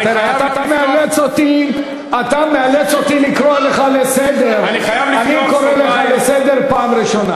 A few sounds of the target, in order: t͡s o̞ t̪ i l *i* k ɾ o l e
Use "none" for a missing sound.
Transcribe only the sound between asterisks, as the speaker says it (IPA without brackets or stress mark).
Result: i